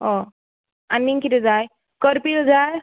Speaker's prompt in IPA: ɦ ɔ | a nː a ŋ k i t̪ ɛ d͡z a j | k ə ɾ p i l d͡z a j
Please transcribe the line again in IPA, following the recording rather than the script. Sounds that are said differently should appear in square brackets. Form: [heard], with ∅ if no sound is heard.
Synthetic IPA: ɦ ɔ | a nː [i] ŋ k i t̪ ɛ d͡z a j | k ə ɾ p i l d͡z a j